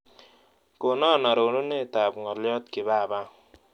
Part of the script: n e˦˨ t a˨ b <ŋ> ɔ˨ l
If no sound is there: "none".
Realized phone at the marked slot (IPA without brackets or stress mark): ŋ